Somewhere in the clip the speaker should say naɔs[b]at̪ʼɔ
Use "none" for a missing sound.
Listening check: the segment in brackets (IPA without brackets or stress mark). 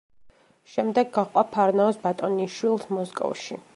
b